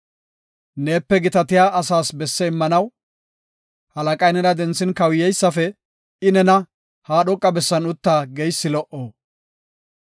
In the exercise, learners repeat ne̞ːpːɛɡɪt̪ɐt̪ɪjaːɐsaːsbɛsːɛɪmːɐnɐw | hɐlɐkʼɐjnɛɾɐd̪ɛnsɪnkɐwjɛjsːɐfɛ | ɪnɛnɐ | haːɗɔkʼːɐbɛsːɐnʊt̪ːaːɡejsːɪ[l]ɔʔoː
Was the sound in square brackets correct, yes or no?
yes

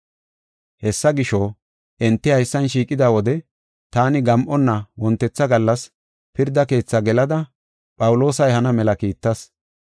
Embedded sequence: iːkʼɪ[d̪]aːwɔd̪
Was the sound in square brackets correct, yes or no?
yes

